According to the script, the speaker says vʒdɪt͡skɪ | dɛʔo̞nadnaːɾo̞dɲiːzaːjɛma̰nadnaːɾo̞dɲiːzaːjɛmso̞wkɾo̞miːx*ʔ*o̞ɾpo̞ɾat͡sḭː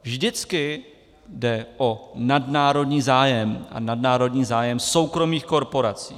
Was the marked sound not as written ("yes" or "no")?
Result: yes